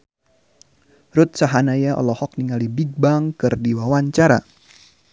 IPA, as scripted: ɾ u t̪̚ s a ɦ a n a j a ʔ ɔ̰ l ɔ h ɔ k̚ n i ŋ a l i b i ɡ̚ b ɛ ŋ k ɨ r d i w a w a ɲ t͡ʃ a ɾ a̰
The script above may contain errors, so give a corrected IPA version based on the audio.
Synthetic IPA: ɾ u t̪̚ s a ɦ a n a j a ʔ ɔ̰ l ɔ h ɔ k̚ n i ŋ a l i b i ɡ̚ b a ŋ k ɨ r d i w a w a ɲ t͡ʃ a ɾ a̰